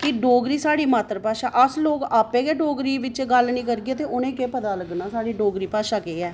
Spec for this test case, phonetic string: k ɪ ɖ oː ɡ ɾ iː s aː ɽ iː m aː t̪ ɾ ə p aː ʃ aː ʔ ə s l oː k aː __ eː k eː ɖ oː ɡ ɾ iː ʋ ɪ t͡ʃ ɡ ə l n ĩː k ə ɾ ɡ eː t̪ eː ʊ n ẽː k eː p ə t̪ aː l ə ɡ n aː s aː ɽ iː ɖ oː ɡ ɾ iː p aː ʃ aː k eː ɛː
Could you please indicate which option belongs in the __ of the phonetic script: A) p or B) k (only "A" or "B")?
A